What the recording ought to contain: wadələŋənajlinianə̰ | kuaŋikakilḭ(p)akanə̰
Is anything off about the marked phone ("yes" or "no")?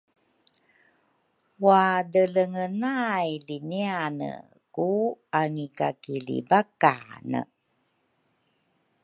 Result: yes